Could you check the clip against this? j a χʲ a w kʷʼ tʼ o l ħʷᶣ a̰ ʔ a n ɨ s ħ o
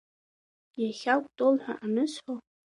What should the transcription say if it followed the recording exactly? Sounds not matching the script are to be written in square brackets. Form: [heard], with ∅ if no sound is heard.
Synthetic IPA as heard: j a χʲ a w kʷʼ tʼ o l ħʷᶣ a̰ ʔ a n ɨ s ħ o